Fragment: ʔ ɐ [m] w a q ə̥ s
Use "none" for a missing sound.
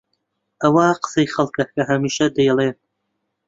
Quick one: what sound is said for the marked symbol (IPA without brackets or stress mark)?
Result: none